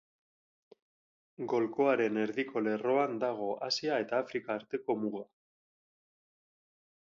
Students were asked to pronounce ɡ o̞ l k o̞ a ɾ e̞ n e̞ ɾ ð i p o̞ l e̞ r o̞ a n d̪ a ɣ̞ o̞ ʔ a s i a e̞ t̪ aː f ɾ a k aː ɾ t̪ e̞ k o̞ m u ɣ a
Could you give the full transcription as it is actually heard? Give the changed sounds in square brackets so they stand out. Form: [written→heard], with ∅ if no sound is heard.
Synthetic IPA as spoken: ɡ o̞ l k o̞ a ɾ e̞ n e̞ ɾ ð i [p→k] o̞ l e̞ r o̞ a n d̪ a ɣ̞ o̞ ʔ a s i a e̞ t̪ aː f ɾ [a→i] k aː ɾ t̪ e̞ k o̞ m u ɣ a